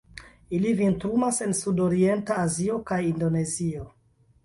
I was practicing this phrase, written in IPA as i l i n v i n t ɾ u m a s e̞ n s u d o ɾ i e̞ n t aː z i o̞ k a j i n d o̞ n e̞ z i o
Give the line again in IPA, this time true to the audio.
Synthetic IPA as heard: i l i v i n t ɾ u m a s e̞ n s u d o ɾ i e̞ n t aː z i o̞ k a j i n d o̞ n e̞ z i o